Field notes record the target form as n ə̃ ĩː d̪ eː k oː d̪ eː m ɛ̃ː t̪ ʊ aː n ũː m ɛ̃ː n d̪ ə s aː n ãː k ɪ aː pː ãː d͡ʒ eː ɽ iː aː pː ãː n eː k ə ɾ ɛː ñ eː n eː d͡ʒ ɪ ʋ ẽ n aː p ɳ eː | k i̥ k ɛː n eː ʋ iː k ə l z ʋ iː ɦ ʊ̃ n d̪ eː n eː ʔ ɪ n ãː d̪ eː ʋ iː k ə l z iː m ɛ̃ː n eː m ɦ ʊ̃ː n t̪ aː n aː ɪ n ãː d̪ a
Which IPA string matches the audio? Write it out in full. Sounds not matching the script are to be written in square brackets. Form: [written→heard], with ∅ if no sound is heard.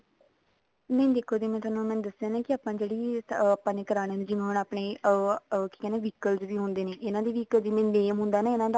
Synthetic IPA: n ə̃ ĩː d̪ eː [k→kʰ] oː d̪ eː m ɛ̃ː t̪ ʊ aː n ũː m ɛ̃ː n d̪ ə s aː n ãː k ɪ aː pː ãː d͡ʒ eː ɽ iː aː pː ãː n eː k ə ɾ [ɛː→aː] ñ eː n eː d͡ʒ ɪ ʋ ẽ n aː p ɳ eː | k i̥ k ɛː n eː ʋ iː k ə l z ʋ iː ɦ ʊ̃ n d̪ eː n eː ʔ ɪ n ãː d̪ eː ʋ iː k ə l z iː m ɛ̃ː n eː m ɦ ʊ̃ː n [t̪→d̪] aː n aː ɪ n ãː d̪ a